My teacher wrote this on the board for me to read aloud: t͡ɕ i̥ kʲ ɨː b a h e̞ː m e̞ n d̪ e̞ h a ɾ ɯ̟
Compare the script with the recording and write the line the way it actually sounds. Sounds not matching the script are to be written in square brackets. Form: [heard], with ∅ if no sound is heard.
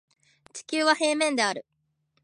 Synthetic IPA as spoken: t͡ɕ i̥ kʲ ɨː [β] a h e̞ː m [ẽ̞] n d̪ e̞ [∅] a ɾ ɯ̟

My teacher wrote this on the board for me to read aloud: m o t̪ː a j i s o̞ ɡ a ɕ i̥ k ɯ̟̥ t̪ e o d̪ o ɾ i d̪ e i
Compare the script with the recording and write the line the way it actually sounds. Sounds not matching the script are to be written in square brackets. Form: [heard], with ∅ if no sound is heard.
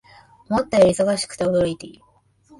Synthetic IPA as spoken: m o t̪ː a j i s o̞ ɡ a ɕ i̥ k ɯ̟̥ t̪ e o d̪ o ɾ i [t̪] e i

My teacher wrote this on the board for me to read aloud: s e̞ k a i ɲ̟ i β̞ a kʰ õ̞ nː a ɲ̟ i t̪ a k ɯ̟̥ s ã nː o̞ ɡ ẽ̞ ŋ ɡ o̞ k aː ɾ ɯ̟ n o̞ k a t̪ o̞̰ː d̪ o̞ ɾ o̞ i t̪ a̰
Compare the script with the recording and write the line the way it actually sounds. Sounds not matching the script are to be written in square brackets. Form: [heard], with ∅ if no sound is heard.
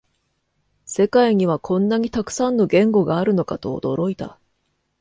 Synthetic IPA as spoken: s e̞ k a i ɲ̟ i β̞ a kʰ õ̞ nː a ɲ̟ i t̪ a k ɯ̟̥ s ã nː o̞ ɡ ẽ̞ ŋ ɡ o̞ [ɡ] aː ɾ ɯ̟ n o̞ k a t̪ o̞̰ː d̪ o̞ ɾ o̞ i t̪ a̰

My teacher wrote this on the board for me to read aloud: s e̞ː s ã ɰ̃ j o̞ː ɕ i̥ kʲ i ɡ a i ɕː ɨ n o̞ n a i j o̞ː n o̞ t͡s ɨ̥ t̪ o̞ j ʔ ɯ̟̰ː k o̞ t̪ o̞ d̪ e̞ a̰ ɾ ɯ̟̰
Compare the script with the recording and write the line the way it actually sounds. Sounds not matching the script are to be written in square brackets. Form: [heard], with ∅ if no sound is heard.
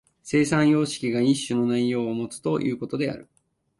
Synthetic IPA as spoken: s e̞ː s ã ɰ̃ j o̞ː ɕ i̥ kʲ i ɡ a i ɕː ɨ n o̞ n a i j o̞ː [m] o̞ t͡s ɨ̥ t̪ o̞ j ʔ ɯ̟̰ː k o̞ t̪ o̞ d̪ e̞ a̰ ɾ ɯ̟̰

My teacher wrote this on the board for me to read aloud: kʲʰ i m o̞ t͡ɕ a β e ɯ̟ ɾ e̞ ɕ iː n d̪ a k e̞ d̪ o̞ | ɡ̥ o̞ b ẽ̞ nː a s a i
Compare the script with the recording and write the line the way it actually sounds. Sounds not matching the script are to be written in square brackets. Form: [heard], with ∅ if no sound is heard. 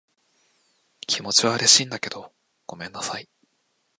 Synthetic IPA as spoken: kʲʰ i m o̞ t͡ɕ [i] β [a] ɯ̟ ɾ e̞ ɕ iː n d̪ a k e̞ d̪ o̞ | ɡ̥ o̞ [m] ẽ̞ nː a s a i

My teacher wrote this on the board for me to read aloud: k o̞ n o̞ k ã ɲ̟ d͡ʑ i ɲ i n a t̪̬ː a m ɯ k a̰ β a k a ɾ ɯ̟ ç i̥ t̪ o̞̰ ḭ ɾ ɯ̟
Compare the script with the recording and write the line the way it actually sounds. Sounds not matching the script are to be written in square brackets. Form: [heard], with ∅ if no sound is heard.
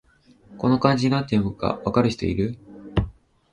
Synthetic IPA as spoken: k o̞ n o̞ k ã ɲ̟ d͡ʑ i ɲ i n a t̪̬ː [e] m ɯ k a̰ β a k a ɾ ɯ̟ ç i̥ t̪ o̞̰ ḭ ɾ ɯ̟

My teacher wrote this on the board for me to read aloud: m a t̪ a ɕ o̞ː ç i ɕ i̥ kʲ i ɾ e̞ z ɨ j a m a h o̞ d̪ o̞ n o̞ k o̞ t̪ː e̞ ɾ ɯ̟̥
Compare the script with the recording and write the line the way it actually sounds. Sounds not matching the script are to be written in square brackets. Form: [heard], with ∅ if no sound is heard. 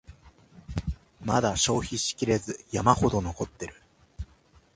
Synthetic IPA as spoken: m a [d̪] a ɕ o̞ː ç i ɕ i̥ kʲ i ɾ e̞ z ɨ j a m a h o̞ d̪ o̞ n o̞ k o̞ t̪ː e̞ ɾ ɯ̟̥

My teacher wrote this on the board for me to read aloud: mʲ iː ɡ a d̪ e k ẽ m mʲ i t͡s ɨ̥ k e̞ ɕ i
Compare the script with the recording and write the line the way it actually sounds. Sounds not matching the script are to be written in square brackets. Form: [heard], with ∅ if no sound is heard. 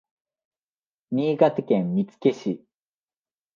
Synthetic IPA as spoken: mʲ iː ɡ a [t̪] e k ẽ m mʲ i t͡s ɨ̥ k e̞ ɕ i

